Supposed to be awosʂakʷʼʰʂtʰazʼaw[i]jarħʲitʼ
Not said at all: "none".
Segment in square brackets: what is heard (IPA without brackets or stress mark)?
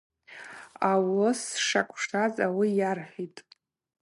i